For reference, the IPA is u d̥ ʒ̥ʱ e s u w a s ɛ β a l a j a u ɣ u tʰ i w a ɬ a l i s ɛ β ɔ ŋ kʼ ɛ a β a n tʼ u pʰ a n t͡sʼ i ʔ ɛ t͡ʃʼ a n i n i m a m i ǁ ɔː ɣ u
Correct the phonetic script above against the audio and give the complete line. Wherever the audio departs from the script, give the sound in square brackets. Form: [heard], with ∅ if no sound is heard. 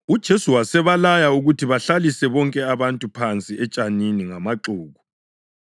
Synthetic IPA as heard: u d̥ ʒ̥ʱ e s u w a s ɛ β a l a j a u ɣ u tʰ i [β] a ɬ a l i s ɛ β ɔ ŋ kʼ ɛ a β a n tʼ u pʰ a n t͡sʼ i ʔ ɛ t͡ʃʼ a n i n i [ŋ] a m [a] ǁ [uː] ɣ u